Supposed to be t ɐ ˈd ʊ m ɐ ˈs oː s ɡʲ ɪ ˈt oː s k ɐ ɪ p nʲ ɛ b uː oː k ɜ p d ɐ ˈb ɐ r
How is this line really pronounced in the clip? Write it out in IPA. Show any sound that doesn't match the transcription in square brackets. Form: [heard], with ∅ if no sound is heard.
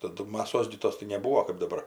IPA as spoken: t ɐ ˈd ʊ m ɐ ˈs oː s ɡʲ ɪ ˈt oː s [t] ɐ ɪ [∅] nʲ ɛ b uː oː k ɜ p d ɐ ˈb ɐ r